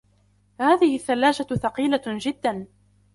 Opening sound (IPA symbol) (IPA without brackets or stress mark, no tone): h